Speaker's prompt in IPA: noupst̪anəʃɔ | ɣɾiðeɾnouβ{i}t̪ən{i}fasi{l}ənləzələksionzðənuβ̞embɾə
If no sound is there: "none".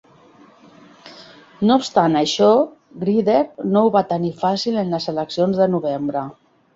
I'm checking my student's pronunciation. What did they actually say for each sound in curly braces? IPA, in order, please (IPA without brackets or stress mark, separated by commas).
a, i, l